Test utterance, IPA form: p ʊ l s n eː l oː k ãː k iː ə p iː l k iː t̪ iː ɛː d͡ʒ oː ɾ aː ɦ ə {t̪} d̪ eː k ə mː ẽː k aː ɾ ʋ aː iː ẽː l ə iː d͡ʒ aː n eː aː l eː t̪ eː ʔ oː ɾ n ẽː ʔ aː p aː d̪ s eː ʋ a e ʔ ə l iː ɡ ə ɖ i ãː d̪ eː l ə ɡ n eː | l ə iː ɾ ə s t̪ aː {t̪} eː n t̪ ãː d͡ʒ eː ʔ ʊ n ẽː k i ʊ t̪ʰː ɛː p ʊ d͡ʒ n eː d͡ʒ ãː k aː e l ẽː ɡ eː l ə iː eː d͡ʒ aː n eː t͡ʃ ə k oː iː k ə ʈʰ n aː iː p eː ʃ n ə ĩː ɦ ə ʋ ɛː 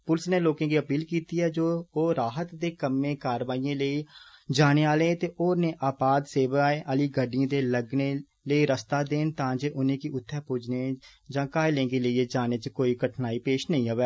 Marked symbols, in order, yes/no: yes, no

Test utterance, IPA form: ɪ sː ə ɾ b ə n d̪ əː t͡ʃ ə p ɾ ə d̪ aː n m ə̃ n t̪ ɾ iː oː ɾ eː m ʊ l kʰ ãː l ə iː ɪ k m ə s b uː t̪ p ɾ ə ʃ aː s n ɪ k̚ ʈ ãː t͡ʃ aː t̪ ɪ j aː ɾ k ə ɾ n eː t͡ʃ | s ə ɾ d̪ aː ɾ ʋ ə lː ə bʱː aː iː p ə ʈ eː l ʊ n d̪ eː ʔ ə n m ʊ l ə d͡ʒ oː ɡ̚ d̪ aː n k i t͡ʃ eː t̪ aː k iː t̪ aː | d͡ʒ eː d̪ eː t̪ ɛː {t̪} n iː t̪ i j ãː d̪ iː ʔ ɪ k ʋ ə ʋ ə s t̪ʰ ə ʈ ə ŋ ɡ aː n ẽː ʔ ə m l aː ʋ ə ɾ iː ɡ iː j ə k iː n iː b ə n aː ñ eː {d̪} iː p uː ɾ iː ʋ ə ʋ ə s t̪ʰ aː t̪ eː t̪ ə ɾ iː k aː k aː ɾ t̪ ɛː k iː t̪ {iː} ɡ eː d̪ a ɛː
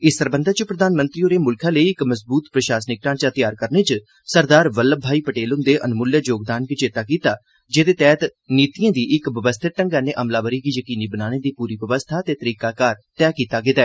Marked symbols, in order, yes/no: yes, yes, no

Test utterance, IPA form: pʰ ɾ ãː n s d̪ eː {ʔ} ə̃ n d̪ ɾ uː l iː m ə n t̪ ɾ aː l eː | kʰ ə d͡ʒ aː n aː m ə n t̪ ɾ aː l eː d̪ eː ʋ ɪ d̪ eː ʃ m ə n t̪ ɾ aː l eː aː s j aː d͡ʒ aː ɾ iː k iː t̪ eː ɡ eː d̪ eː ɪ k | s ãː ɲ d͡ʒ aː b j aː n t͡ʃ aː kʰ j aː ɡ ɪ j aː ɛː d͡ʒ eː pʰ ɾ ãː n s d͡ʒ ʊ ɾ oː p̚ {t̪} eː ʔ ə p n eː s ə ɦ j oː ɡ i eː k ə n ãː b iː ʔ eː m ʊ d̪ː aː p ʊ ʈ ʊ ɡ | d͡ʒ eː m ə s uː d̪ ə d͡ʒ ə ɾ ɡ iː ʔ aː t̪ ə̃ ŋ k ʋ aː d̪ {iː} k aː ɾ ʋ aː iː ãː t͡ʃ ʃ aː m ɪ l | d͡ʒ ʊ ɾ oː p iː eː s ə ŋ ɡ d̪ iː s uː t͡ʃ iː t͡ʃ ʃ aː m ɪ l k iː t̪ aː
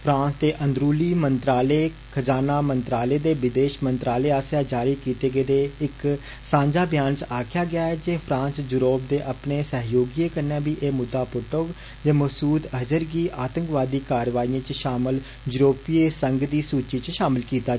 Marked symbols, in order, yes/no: yes, no, yes

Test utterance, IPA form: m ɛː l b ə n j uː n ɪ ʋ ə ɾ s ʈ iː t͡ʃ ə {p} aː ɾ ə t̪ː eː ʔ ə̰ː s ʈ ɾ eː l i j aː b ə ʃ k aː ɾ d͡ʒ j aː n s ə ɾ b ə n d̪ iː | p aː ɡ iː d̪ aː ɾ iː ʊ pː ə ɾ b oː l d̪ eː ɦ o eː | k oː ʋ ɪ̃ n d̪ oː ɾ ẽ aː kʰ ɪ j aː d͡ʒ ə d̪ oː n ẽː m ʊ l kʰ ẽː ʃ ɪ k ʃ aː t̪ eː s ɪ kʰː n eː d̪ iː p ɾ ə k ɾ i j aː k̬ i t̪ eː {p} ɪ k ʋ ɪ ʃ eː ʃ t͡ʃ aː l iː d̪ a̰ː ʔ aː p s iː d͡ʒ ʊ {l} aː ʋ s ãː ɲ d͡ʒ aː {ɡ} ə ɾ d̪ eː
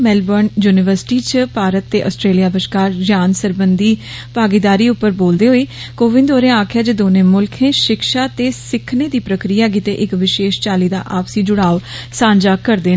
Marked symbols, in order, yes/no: yes, no, no, no

